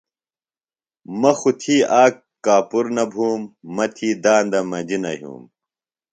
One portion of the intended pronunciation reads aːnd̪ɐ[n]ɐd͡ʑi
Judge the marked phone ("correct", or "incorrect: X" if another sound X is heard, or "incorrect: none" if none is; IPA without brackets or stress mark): incorrect: m